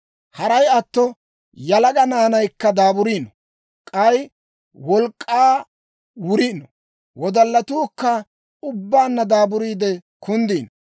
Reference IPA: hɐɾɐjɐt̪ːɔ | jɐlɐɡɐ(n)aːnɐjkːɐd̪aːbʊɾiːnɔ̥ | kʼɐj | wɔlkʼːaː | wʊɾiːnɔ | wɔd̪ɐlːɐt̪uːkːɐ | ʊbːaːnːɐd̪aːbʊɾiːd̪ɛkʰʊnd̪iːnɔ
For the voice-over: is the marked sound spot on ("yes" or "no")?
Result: yes